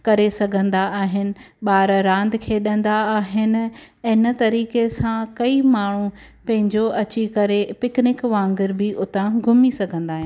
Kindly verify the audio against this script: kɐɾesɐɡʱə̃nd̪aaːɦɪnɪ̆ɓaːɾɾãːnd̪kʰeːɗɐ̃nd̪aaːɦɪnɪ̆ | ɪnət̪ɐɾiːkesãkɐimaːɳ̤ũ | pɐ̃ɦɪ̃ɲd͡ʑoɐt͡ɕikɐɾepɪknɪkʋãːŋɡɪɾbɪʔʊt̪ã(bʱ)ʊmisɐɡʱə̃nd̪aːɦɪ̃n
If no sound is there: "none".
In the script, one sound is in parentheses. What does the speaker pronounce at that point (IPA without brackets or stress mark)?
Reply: ɡʱ